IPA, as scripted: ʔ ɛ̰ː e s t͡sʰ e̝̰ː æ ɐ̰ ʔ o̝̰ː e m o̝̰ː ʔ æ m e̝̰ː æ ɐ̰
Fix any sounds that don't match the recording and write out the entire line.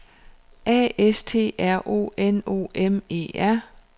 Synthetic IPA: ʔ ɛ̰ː e s t͡sʰ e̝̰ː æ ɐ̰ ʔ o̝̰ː e n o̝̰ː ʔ e m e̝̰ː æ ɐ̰